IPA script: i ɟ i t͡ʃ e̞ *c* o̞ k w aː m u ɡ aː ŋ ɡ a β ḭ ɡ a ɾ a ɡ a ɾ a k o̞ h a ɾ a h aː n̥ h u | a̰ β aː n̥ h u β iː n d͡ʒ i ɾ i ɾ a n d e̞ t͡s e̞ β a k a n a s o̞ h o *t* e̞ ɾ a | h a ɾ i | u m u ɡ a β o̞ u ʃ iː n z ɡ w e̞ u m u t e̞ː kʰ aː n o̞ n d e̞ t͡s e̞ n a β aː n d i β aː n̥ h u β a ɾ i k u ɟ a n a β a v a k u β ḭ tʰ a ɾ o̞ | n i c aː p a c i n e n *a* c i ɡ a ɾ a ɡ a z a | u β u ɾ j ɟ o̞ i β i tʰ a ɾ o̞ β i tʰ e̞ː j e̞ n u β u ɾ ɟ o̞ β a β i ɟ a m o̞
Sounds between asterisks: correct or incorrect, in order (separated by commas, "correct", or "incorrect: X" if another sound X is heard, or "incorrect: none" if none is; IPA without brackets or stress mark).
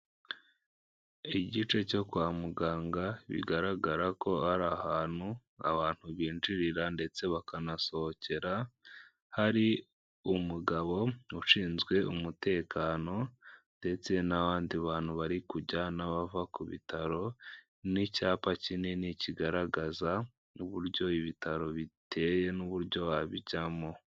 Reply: correct, incorrect: c, incorrect: i